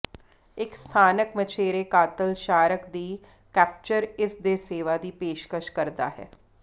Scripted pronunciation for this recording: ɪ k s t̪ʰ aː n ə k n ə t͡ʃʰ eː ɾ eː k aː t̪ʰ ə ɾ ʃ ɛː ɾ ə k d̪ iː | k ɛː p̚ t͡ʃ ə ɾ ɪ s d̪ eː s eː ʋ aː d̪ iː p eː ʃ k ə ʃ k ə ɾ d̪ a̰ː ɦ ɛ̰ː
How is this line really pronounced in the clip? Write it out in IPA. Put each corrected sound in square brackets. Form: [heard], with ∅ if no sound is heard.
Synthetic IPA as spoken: ɪ k s t̪ʰ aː n ə k [m] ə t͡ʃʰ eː ɾ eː k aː [t̪] ə [l] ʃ [aː] ɾ ə k d̪ iː | k ɛː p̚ t͡ʃ ə ɾ ɪ s d̪ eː s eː ʋ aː d̪ iː p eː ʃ k ə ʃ k ə ɾ d̪ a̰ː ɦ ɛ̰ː